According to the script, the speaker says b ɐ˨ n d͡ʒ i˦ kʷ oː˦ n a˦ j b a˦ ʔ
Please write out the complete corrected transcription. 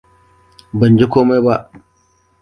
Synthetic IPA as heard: b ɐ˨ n d͡ʒ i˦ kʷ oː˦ m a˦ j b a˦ ʔ